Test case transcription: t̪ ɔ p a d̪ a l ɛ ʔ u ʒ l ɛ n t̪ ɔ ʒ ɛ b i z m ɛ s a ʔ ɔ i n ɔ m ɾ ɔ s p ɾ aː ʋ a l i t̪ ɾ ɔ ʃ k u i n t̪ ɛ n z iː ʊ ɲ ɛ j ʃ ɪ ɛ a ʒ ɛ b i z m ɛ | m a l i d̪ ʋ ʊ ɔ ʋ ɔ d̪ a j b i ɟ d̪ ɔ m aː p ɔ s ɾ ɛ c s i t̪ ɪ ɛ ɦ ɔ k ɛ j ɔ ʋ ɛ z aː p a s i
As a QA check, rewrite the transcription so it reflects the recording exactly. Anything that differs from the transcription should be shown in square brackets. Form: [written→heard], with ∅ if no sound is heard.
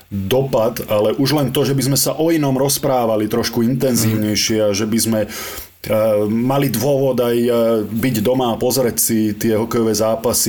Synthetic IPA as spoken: [t̪→d̪] ɔ p a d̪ a l ɛ ʔ u ʒ l ɛ n t̪ ɔ ʒ ɛ b i z m ɛ s a ʔ ɔ i n ɔ m ɾ ɔ s p ɾ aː ʋ a l i t̪ ɾ ɔ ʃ k u i n t̪ ɛ n z iː ʊ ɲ ɛ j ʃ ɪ ɛ a ʒ ɛ b i z m ɛ | m a l i d̪ ʋ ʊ ɔ ʋ ɔ d̪ a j b i ɟ d̪ ɔ m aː p ɔ [s→z] ɾ ɛ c s i t̪ ɪ ɛ ɦ ɔ k ɛ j ɔ ʋ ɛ z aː p a s i